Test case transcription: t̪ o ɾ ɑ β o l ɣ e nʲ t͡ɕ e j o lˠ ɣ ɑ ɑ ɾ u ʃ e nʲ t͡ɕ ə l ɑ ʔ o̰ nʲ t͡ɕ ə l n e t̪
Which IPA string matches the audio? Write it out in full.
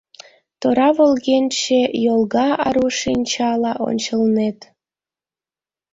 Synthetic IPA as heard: t̪ o ɾ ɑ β o l ɣ e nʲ t͡ɕ e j o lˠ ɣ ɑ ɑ ɾ u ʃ i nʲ t͡ɕ ɑ l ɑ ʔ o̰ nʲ t͡ɕ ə l n e t̪

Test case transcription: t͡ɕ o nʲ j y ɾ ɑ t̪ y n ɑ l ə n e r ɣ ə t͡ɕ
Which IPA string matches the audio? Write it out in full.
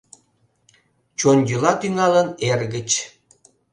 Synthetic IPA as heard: t͡ɕ o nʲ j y l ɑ t̪ y ŋ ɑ l ə n e r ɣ ə t͡ɕ

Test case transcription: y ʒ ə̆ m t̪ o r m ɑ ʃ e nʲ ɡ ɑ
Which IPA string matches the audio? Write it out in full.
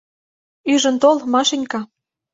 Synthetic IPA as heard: y ʒ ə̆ n t̪ o l m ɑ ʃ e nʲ k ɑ

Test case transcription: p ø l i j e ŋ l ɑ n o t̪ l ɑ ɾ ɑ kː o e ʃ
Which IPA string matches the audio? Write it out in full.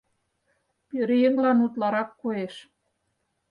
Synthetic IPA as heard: p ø ɾ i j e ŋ l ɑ n u t̪ l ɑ ɾ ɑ kː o e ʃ

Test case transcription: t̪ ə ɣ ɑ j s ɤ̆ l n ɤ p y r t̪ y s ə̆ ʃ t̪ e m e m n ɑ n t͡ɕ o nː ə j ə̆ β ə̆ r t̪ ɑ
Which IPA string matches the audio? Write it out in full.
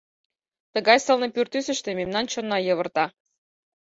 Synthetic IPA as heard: t̪ ə ɣ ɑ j s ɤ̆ l n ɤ p y r t̪ y s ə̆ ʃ t̪ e m e m n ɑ n t͡ɕ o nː ɑ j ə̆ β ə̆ r t̪ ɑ

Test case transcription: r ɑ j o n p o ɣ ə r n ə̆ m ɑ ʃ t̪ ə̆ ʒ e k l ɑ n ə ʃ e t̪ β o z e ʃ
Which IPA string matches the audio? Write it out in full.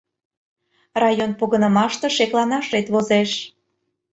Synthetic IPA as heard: r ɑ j o n p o ɣ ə n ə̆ m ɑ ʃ t̪ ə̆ ʃ e k l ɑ n ɑ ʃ e t̪ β o z e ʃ

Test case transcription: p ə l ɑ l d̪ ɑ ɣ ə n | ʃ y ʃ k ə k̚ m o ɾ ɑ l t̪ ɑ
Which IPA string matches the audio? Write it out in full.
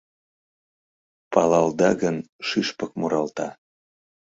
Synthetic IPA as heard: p ɑ l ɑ l d̪ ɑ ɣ ə n | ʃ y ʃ p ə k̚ m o ɾ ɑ l t̪ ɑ

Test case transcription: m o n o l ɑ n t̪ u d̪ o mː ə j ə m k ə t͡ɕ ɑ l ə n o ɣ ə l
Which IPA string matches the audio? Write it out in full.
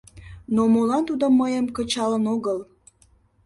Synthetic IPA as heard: n o m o l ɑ n t̪ u d̪ o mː ə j ə m k ə t͡ɕ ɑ l ə n o ɣ ə l

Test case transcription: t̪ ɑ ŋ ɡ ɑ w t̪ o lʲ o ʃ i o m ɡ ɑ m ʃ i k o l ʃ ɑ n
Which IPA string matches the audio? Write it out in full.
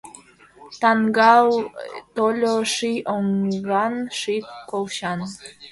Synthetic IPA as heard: t̪ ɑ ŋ ɡ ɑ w t̪ o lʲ o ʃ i o ŋ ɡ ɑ n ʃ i k o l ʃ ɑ n

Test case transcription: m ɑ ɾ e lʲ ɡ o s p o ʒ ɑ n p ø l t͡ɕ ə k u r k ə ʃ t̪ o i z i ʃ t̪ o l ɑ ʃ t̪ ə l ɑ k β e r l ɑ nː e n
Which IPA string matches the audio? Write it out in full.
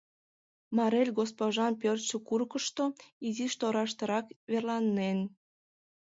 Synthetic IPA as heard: m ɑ ɾ e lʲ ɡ o s p o ʒ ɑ n p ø r t͡ɕ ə k u r k ə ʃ t̪ o i z i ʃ t̪ o ɾ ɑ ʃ t̪ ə ɾ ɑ k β e r l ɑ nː e n

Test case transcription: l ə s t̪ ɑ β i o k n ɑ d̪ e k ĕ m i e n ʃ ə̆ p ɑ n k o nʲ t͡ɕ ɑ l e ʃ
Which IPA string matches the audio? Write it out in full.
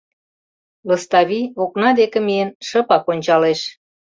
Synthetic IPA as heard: l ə s t̪ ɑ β i o k n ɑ d̪ e k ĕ m i e n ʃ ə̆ p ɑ k o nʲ t͡ɕ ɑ l e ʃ

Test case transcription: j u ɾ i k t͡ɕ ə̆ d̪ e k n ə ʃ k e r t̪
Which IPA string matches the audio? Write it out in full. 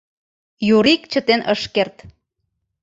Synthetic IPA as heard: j u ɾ i k t͡ɕ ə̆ t̪ e n ə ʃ k e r t̪

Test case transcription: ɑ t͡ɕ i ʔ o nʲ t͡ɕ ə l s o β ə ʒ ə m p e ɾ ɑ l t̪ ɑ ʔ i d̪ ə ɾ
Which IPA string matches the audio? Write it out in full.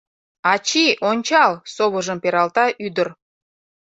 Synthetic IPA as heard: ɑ t͡ɕ i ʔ o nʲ t͡ɕ ɑ l s o β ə ʒ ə m p e ɾ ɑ l t̪ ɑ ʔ y d̪ ə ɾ

